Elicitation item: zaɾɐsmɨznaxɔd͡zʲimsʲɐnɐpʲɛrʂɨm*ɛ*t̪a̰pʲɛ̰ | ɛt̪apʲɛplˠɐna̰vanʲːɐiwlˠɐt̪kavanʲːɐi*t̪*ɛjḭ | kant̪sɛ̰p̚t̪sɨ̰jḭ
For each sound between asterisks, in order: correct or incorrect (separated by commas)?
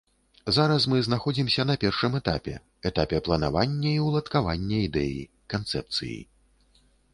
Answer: correct, incorrect